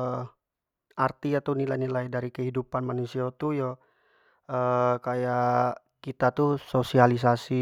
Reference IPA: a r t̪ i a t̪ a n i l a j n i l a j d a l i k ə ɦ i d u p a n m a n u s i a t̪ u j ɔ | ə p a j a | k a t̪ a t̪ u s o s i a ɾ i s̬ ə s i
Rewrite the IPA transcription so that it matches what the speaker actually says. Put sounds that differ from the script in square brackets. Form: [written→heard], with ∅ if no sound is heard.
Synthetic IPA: a r t̪ i a t̪ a n i l a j n i l a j d a [l→ɾ] i k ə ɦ i d u p a n m a n u s i a t̪ u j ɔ | ə [p→k] a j a | k [a→i] t̪ a t̪ u s o s i a [ɾ→l] i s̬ [ə→a] s i